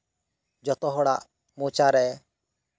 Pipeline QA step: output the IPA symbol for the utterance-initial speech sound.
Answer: d͡ʒ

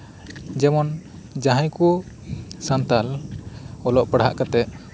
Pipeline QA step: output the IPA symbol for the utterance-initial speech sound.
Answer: d͡ʒ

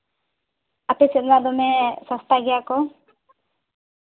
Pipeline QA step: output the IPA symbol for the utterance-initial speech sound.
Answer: a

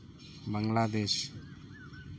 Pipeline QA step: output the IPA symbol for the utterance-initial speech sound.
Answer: b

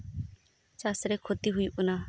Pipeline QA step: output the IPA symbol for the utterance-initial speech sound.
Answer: t͡ʃ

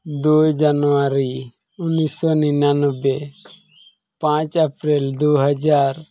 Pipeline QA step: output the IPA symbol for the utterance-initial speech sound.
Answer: d̪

